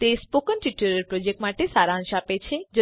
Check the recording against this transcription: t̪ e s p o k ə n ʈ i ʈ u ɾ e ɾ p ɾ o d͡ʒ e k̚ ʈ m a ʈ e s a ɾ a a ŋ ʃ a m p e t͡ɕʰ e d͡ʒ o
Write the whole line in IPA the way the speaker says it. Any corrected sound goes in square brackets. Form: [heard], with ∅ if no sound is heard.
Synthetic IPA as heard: t̪ e s p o k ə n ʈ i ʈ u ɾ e ɾ p ɾ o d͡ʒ e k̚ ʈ m a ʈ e s a ɾ a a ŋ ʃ a [∅] p e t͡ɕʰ e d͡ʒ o